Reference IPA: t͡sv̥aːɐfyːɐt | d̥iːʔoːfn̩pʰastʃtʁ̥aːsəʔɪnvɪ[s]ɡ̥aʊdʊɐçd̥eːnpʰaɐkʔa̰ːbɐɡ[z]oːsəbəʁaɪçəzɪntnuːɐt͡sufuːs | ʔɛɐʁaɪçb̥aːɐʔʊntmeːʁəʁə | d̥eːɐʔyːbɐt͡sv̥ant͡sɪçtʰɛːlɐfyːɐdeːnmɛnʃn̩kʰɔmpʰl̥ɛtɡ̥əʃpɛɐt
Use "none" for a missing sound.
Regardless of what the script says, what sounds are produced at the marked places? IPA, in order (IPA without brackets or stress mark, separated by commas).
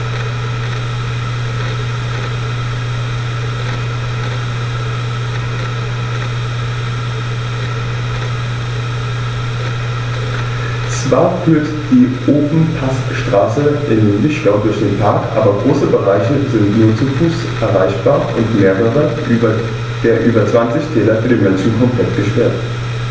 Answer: ʃ, ʁ